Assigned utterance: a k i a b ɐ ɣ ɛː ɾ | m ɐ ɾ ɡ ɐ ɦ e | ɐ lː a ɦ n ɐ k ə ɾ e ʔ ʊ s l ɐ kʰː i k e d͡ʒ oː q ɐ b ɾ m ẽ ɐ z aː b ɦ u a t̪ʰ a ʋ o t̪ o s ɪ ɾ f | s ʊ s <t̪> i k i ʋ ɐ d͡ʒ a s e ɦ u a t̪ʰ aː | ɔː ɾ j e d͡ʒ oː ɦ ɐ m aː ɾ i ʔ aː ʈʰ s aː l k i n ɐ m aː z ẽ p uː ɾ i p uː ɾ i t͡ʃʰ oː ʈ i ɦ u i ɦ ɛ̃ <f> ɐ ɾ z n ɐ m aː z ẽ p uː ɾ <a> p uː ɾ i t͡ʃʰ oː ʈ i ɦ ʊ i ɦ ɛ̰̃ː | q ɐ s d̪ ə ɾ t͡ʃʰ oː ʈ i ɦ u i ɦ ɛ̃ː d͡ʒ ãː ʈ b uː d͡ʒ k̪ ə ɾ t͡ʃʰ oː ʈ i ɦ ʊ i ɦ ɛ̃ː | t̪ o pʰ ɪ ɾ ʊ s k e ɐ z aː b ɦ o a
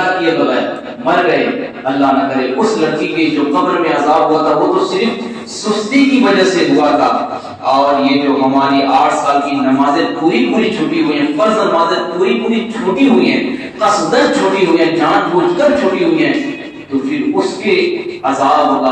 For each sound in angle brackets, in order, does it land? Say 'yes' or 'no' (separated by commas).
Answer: yes, yes, no